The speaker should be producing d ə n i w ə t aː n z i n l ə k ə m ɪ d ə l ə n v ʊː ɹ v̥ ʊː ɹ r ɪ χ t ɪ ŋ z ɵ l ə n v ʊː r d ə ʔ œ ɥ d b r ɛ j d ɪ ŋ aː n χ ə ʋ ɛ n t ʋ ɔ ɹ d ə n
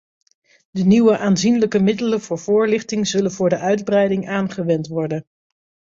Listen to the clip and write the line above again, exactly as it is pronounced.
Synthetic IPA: d ə n i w ə ʔ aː n z i n l ə k ə m ɪ d ə l ə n v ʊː ɹ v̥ ʊː ɹ l ɪ χ t ɪ ŋ z ɵ l ə n v ʊː ɹ d ə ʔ œ ɥ d b r ɛ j d ɪ ŋ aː n χ ə ʋ ɛ n t ʋ ɔ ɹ d ə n